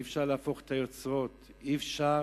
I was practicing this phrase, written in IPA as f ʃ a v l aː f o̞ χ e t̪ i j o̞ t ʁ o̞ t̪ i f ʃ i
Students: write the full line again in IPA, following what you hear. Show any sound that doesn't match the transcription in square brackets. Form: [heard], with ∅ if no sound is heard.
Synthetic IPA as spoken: f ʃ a [ʁ] l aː f o̞ χ e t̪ [a] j o̞ [t͡s] ʁ o̞ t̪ i f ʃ [a]